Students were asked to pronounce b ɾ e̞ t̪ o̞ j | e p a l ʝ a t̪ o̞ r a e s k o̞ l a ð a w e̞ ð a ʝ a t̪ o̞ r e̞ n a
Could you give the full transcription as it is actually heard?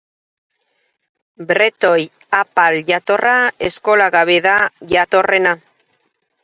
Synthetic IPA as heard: b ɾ e̞ t̪ o̞ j | a p a l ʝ a t̪ o̞ r a e s k o̞ l a ɣ a β e̞ ð a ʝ a t̪ o̞ r e̞ n a